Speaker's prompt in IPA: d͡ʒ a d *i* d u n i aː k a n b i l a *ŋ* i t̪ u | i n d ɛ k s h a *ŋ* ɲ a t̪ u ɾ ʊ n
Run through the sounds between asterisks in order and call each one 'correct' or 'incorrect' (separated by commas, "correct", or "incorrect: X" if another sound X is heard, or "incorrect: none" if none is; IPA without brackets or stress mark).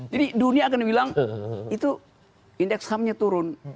correct, correct, incorrect: m